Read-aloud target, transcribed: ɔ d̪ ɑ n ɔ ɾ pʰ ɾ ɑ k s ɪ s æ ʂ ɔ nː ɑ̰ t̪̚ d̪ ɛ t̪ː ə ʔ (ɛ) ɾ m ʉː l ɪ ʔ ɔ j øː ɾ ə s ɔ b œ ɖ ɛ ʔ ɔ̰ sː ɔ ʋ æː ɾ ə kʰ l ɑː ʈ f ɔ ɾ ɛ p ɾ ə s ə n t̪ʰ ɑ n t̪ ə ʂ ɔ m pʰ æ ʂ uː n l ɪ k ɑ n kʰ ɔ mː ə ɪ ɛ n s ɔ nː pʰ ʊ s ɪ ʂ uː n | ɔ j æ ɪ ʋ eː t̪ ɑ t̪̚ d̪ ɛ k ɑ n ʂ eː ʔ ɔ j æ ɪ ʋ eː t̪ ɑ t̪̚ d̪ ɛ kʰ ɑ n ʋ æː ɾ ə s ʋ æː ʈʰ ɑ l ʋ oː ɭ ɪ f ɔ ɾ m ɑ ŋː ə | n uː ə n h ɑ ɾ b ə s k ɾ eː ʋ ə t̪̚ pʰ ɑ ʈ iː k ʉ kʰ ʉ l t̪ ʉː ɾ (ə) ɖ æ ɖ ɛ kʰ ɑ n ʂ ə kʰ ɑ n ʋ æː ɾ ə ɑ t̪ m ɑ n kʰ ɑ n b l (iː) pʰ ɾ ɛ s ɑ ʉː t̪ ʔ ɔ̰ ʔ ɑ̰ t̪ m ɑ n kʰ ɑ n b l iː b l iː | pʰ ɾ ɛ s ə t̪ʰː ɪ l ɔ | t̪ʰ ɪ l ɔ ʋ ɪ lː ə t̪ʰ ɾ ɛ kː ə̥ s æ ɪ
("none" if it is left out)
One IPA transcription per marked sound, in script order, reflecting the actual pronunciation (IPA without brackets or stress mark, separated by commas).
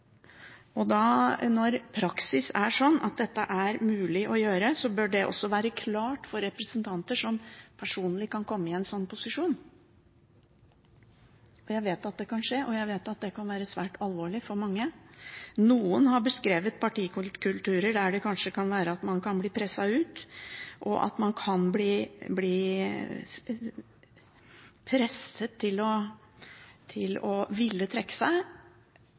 æ, ə, iː